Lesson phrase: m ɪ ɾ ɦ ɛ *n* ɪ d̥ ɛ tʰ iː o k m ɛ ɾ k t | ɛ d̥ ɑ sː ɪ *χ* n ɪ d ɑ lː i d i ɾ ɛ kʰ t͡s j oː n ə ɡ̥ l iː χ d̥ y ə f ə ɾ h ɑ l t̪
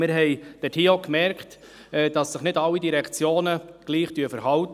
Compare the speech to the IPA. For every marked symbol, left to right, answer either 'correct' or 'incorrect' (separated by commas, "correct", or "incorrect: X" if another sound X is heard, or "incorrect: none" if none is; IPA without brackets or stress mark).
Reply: incorrect: none, correct